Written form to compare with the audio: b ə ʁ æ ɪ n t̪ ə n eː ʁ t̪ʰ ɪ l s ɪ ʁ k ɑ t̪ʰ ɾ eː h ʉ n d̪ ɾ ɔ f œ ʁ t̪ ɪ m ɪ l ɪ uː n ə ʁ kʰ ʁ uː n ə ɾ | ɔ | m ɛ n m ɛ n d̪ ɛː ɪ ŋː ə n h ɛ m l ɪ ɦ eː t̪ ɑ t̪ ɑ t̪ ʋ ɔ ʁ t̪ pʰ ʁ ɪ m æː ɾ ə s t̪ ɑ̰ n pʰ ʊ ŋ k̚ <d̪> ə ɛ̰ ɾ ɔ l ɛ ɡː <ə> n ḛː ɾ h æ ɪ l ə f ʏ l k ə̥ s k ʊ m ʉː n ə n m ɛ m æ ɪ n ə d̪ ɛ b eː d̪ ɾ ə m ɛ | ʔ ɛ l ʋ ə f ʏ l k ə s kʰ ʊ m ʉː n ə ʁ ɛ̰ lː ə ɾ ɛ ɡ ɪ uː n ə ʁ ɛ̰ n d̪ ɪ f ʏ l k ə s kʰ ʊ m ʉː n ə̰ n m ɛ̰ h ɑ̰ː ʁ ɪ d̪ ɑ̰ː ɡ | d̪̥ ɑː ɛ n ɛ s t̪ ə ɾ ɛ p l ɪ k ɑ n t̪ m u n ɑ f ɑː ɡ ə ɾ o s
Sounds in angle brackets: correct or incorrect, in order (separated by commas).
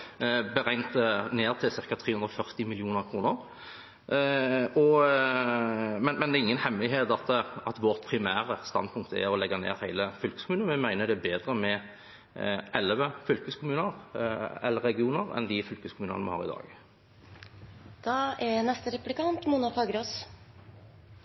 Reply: incorrect, incorrect